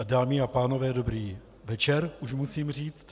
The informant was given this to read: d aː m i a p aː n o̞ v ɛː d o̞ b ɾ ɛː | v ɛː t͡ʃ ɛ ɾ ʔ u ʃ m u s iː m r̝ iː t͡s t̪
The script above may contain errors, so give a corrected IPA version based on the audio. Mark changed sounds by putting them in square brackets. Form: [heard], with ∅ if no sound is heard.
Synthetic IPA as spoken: d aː m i a p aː n o̞ v ɛː d o̞ b ɾ [iː] | v [ɛ] t͡ʃ ɛ ɾ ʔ u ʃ m u s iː m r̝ iː t͡s t̪